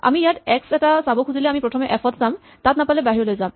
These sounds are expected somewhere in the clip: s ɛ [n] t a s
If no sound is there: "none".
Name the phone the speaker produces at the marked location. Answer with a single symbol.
none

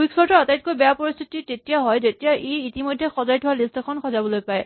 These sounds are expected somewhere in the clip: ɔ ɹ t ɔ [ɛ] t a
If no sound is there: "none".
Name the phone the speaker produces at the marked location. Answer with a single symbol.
a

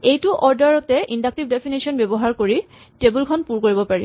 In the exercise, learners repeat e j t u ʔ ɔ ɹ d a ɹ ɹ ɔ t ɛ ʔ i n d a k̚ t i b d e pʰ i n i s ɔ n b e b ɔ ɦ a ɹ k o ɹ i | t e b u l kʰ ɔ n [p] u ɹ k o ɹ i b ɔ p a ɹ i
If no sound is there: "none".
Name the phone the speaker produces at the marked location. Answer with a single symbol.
p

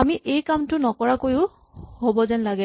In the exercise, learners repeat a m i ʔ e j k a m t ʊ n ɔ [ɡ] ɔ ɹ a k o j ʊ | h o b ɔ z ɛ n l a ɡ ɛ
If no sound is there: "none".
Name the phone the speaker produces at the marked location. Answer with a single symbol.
k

